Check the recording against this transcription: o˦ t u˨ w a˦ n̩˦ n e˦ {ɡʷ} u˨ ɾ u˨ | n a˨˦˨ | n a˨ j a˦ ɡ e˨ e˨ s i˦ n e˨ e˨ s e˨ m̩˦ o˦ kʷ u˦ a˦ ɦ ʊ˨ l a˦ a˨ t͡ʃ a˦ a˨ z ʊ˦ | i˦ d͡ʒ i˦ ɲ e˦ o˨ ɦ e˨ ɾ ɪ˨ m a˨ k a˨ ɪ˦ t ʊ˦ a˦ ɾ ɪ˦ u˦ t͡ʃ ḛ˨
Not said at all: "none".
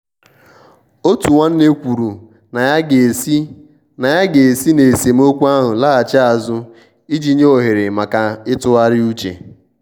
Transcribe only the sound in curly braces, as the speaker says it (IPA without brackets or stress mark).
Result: kʷ